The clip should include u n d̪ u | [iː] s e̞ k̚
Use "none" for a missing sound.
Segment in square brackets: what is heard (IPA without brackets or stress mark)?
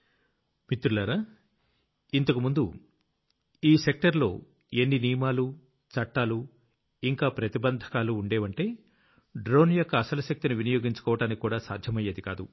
iː